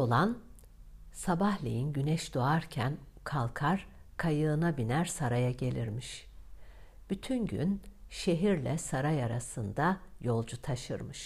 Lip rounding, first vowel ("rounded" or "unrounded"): rounded